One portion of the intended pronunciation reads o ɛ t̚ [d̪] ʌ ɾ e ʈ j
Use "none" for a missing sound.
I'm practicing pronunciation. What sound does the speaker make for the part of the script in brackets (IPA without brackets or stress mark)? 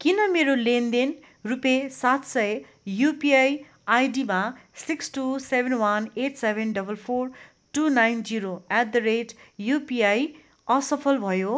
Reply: d̪